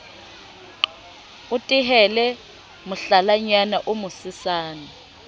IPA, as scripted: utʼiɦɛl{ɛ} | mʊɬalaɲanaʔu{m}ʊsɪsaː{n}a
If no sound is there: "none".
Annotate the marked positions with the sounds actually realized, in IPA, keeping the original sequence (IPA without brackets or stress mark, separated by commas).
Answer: ɛ, m, n